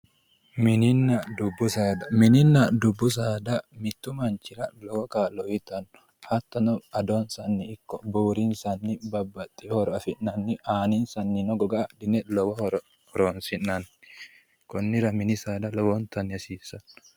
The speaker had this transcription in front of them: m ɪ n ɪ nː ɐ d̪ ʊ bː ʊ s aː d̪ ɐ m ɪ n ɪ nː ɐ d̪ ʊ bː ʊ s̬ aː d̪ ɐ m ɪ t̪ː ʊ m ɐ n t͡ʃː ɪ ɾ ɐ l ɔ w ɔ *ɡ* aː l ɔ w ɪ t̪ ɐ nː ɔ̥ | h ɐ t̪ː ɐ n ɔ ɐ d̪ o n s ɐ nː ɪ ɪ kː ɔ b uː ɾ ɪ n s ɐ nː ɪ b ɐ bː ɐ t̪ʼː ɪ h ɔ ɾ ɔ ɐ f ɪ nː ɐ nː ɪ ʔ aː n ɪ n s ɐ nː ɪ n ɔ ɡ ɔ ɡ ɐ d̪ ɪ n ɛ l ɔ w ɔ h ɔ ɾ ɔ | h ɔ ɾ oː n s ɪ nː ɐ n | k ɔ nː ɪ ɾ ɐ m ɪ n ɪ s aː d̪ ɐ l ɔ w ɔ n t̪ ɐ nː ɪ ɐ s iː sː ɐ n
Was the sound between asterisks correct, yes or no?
no